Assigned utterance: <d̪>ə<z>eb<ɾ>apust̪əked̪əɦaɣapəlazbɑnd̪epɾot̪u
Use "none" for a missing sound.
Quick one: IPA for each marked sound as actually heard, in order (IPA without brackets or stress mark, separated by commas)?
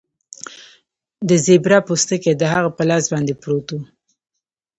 d̪, z, ɾ